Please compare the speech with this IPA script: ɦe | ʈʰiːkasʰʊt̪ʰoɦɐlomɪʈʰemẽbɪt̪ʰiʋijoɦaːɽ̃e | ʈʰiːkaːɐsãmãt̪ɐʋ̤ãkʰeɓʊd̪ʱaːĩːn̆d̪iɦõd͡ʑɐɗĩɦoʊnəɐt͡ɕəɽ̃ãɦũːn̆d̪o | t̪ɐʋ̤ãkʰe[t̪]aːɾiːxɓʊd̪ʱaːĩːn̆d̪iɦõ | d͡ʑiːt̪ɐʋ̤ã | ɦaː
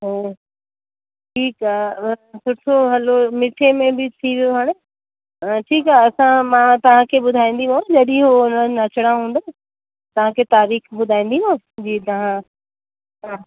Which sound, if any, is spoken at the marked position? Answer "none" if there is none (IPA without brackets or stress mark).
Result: t̪